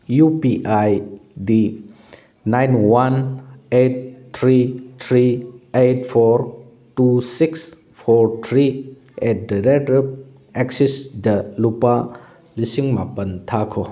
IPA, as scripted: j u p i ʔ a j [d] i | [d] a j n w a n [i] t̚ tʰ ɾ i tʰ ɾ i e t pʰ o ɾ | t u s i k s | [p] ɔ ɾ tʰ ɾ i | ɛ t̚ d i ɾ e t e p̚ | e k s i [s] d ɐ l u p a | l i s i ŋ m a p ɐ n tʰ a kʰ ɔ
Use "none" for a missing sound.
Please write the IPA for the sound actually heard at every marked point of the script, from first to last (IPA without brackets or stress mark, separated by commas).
d, n, e, pʰ, s